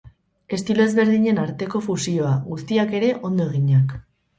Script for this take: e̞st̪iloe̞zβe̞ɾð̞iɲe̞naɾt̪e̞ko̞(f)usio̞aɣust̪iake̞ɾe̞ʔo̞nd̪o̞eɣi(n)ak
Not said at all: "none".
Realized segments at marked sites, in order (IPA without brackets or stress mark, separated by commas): f, ɲ